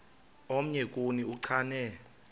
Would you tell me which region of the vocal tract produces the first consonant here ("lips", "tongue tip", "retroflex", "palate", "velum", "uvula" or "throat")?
lips